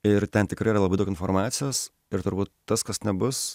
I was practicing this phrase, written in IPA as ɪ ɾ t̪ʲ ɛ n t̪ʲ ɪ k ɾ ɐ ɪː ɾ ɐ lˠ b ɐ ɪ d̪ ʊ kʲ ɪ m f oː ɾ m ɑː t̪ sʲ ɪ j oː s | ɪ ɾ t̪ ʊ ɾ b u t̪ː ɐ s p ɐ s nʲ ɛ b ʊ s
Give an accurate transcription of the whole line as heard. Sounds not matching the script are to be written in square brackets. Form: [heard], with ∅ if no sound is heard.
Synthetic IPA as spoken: ɪ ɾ t̪ʲ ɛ n t̪ʲ ɪ k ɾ ɐ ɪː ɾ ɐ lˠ b ɐ ɪ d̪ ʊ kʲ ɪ [n] f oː ɾ m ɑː t̪ sʲ ɪ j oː s | ɪ ɾ t̪ ʊ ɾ b [uː] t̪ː ɐ s [k] ɐ s nʲ ɛ b ʊ s